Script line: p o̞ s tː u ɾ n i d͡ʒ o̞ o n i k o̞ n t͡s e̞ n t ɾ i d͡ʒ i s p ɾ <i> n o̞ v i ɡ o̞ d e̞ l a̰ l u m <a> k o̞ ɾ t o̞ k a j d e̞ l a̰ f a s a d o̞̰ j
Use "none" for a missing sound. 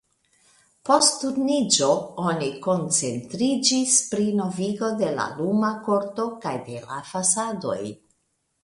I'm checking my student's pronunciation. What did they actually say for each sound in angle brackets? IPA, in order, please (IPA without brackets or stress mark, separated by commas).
i, a